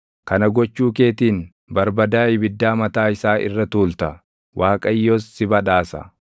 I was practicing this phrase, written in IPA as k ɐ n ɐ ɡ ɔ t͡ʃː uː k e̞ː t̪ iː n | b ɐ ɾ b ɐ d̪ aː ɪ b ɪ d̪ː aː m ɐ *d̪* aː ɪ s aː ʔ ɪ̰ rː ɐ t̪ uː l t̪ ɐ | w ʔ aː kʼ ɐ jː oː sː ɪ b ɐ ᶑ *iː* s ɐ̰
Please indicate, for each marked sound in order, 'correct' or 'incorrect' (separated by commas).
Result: incorrect, incorrect